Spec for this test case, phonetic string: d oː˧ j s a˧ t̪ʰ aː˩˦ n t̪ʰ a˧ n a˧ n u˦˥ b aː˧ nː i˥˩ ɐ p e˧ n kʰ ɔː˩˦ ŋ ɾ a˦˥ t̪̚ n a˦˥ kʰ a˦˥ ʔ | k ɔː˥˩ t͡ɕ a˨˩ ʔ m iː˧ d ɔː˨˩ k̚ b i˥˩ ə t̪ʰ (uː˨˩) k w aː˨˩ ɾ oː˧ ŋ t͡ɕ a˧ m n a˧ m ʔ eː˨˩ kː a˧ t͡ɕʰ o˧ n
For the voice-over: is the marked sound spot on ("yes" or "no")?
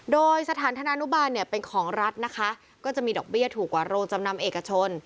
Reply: yes